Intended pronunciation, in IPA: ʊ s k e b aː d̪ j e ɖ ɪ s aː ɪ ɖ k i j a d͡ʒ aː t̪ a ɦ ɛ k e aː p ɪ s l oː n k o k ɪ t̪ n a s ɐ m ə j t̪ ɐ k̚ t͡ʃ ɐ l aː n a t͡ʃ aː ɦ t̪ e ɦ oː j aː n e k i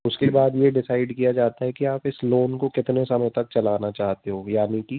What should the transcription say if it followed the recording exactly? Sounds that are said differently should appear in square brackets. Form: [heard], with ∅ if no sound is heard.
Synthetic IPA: ʊ s k e b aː d̪ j e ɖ ɪ s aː ɪ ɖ k i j a d͡ʒ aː t̪ a ɦ ɛ k [i] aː p ɪ s l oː n k o k ɪ t̪ n [e] s ɐ m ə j t̪ ɐ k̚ t͡ʃ ɐ l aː n a t͡ʃ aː ɦ t̪ e ɦ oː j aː n [i] k i

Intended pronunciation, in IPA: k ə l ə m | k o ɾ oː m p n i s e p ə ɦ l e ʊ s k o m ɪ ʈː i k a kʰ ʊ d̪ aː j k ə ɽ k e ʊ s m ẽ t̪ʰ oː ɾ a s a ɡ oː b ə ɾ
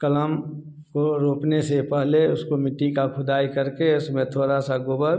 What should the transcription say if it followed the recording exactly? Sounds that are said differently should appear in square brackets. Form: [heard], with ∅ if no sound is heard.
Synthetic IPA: k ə l ə m | k o ɾ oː [∅] p n [e] s e p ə ɦ l e ʊ s k o m ɪ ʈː i k a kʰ ʊ d̪ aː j k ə [ɾ] k e ʊ s m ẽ t̪ʰ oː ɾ a s a ɡ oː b ə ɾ

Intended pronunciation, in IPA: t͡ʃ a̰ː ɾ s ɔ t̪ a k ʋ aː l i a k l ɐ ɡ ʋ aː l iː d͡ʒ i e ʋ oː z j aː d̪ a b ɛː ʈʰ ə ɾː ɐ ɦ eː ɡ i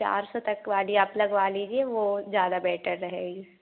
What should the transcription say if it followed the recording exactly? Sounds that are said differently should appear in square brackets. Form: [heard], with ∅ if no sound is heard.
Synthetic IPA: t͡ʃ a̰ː ɾ s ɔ t̪ [ɐ] k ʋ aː l i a [p] l ɐ ɡ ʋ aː l iː d͡ʒ i e ʋ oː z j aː d̪ a b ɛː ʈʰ ə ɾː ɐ ɦ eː ɡ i

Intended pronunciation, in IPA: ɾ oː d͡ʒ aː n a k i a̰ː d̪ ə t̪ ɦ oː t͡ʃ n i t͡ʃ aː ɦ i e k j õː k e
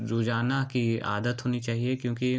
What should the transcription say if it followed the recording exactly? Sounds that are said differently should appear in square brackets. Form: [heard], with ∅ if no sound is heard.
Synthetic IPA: ɾ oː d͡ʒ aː n a k i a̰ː d̪ ə t̪ ɦ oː [∅] n i t͡ʃ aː ɦ i e k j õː k [i]

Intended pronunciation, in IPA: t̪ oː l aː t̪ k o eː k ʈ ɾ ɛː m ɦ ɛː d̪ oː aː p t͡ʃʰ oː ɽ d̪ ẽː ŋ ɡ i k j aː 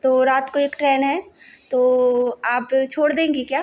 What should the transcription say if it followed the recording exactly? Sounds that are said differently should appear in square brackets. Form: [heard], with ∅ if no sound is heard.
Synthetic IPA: t̪ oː [ɾ] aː t̪ k o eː k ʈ ɾ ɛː [n] ɦ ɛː [t̪] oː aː p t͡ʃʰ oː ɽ d̪ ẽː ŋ ɡ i k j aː

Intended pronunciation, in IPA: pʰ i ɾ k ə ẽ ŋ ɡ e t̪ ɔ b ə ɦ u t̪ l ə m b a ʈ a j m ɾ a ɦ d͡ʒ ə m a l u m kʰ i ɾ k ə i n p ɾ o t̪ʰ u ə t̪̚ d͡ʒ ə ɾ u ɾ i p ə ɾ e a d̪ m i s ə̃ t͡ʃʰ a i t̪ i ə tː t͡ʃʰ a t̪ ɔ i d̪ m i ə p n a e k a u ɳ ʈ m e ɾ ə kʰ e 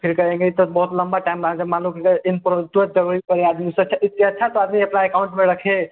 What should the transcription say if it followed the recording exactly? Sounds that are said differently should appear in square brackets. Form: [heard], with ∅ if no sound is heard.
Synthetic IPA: pʰ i ɾ k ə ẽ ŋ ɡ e t̪ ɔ b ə ɦ u t̪ l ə m b a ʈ a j m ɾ a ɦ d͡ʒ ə m a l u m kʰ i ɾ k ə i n p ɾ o [t̪] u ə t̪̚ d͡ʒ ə ɾ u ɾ i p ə ɾ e a d̪ m i s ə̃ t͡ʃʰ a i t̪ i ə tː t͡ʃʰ a t̪ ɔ [a] d̪ m i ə p n a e k a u ɳ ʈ m e ɾ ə kʰ e

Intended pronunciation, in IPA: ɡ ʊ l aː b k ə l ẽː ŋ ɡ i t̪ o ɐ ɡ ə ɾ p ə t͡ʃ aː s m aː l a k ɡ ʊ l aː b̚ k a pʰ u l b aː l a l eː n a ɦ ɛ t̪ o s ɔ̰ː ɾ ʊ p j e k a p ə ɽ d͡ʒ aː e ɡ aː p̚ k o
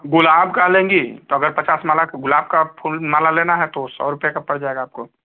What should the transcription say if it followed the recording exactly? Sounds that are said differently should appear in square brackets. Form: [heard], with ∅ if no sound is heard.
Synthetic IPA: ɡ ʊ l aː b k [a] l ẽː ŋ ɡ i t̪ o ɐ ɡ ə ɾ p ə t͡ʃ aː s m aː l a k ɡ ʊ l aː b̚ k a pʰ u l [m] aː l a l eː n a ɦ ɛ t̪ o s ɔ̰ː ɾ ʊ p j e k a p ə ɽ d͡ʒ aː e ɡ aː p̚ k o

